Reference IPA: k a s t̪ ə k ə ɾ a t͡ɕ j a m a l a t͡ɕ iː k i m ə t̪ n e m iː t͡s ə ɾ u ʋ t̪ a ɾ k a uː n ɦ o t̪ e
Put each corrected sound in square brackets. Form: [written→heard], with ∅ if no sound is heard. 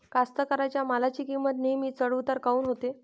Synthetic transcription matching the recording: k a s t̪ ə k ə ɾ a t͡ɕ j a m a l a t͡ɕ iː k i m ə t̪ n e m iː t͡s ə [ɾ→ɽ] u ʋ t̪ a ɾ k a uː n ɦ o t̪ e